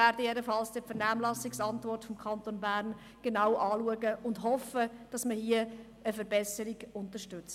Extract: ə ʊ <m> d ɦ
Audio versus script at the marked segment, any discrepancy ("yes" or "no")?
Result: yes